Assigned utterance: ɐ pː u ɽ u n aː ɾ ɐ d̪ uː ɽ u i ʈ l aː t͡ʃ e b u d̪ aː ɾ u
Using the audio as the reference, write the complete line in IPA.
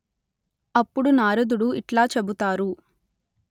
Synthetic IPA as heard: ɐ pː u ɽ u n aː ɾ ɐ d̪ u ɽ u i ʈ l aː t͡ʃ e b u t̪ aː ɾ u